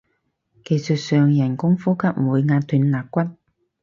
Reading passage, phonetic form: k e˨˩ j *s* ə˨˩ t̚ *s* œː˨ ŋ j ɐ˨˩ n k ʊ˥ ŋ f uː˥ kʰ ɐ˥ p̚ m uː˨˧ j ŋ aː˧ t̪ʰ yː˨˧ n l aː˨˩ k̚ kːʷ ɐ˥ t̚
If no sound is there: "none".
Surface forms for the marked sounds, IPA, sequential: s, s

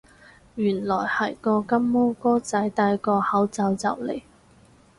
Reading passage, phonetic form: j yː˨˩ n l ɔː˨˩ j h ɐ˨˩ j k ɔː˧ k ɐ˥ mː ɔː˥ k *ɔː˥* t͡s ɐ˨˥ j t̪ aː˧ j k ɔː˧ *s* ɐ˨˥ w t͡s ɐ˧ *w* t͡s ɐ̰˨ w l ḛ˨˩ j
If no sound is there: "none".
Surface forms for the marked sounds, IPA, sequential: ɔː˥, h, w

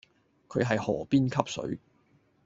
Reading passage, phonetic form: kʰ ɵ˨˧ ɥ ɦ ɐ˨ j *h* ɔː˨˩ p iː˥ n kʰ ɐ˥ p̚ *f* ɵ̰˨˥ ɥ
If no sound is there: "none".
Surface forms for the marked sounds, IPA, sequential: h, s

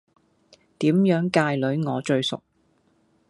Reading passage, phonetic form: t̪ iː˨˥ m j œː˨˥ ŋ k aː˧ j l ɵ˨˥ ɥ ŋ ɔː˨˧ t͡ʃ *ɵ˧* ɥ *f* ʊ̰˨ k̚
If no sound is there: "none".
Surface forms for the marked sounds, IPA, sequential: ɵ˧, s

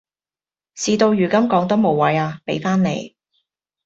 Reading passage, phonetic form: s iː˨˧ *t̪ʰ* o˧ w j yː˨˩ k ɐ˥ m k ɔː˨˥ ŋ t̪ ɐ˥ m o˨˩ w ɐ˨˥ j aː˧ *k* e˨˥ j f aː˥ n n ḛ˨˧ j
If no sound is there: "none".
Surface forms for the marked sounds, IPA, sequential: t̪, p

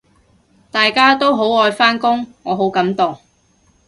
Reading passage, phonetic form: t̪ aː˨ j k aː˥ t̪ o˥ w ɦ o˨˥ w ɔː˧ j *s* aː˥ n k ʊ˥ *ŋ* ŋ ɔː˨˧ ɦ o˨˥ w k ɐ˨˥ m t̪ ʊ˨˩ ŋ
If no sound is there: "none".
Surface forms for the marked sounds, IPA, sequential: f, ŋ

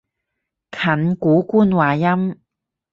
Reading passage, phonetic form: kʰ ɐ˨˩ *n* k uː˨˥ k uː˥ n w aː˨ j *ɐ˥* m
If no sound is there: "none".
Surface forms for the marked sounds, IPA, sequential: n, ɐ˥

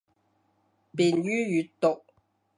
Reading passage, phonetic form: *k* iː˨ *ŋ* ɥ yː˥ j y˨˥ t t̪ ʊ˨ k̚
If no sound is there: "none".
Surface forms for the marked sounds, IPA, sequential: p, n

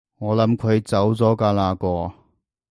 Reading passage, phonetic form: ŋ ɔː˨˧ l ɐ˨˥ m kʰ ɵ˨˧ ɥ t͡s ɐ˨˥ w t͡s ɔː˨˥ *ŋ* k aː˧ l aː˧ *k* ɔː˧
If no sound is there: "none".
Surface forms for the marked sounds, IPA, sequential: none, k

